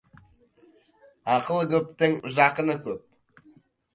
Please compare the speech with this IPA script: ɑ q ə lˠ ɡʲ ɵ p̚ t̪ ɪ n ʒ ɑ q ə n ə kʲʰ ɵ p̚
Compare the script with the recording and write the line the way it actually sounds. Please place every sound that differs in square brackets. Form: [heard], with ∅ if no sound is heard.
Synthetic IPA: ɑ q ə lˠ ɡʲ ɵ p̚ t̪ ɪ [ŋ] ʒ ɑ q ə n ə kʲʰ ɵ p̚